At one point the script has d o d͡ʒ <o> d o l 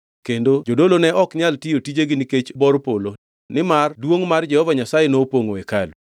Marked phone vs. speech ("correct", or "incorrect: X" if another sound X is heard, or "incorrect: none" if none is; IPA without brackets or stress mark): correct